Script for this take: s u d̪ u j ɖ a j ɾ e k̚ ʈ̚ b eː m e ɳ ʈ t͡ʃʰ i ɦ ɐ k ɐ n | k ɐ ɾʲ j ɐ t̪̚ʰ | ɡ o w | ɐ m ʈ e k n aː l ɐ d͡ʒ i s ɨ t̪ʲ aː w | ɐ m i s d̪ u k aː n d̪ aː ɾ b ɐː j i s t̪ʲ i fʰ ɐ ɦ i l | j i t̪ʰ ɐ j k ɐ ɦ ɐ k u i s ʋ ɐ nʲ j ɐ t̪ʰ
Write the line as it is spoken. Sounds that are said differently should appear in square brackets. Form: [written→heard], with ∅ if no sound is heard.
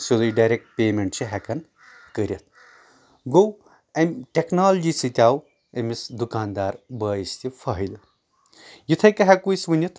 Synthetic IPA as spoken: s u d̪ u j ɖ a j ɾ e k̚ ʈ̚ [b→p] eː m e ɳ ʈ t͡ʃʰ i ɦ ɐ k ɐ n | k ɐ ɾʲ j ɐ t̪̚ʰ | ɡ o w | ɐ m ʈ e k n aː l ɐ d͡ʒ i s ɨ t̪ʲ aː w | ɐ m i s d̪ u k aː n d̪ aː ɾ b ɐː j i s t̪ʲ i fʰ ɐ ɦ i l | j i t̪ʰ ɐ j k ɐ ɦ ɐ k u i s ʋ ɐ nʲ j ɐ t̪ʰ